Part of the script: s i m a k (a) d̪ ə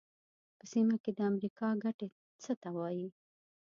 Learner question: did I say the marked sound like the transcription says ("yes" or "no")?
no